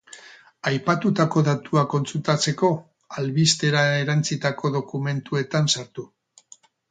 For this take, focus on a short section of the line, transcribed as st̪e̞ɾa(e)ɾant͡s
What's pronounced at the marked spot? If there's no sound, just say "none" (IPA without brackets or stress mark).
e